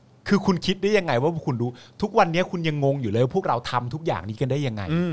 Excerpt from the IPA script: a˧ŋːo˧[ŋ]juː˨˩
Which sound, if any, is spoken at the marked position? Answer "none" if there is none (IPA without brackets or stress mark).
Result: ŋ